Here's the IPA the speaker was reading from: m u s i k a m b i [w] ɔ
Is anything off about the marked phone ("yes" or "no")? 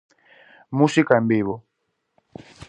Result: yes